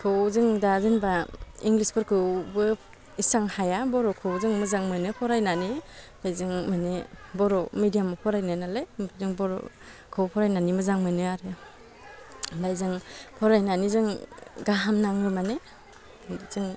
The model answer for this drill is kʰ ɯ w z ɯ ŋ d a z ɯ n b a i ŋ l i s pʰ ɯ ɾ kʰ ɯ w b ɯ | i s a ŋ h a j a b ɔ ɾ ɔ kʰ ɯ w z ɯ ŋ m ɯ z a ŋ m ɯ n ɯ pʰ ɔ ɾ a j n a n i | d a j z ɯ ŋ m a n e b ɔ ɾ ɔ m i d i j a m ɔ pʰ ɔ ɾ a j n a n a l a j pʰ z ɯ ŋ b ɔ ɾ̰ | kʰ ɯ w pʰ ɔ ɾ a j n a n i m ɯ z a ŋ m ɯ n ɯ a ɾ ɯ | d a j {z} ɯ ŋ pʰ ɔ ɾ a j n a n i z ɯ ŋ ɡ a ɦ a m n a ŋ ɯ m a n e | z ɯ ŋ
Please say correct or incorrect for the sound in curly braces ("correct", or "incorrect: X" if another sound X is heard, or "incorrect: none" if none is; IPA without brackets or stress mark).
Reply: correct